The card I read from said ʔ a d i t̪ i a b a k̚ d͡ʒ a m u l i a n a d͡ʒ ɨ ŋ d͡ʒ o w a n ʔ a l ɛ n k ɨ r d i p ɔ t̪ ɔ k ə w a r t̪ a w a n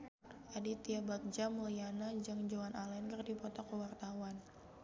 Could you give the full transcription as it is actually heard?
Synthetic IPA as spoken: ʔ a d i t̪ i a b a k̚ d͡ʒ a m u l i a n a d͡ʒ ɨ ŋ d͡ʒ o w a n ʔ a l ɛ n k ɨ r d i p ɔ t̪ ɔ k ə w a r t̪ a w a n